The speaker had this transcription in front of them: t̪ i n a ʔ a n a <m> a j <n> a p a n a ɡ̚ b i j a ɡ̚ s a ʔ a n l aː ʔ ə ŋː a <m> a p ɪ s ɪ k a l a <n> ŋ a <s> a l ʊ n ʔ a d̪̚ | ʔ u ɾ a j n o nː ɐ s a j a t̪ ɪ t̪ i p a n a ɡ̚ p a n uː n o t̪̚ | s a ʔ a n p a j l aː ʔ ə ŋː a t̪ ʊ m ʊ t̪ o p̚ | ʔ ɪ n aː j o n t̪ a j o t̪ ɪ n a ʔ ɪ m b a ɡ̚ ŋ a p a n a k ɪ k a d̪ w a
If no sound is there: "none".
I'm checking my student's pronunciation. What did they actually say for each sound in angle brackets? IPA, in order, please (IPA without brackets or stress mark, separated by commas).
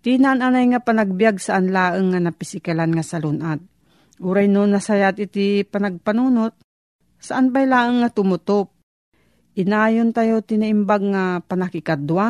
n, ŋ, n, n, s